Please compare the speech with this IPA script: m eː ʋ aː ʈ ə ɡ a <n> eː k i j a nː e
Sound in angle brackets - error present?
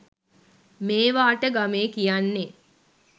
yes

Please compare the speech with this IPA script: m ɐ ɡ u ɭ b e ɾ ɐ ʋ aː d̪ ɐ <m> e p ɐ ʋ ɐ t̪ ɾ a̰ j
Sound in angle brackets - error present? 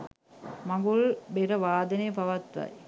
yes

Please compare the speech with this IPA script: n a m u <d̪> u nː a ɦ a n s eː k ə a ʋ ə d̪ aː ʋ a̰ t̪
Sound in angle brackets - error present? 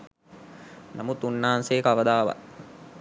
yes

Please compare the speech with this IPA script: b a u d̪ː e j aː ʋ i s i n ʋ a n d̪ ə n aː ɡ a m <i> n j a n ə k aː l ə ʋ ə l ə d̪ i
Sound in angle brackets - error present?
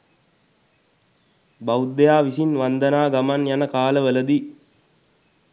yes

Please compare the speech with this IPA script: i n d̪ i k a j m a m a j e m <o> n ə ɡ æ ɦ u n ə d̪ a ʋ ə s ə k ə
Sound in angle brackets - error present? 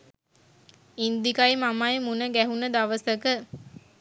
yes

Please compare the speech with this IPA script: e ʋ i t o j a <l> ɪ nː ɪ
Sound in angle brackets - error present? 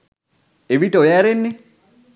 yes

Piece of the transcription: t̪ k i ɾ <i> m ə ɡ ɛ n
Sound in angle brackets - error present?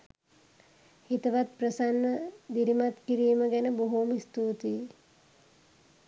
yes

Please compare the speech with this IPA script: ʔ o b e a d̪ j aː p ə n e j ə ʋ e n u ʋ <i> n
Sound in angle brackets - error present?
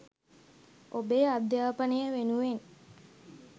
yes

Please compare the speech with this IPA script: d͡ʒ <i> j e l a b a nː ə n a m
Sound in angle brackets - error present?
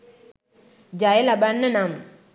yes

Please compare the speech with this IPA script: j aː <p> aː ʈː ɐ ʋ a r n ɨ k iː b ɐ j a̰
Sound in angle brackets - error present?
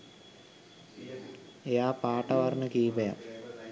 no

